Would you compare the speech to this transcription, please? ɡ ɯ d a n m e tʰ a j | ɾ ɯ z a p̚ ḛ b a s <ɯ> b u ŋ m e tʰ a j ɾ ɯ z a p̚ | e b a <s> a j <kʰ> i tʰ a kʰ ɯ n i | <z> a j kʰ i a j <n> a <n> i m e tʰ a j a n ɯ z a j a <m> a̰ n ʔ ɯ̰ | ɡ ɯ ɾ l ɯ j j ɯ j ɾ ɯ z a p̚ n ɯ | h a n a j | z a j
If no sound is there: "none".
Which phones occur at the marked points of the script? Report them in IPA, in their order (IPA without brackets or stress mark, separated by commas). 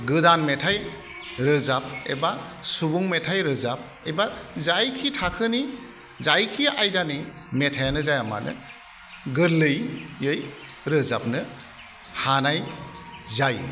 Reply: u, z, kʰ, z, d, n, m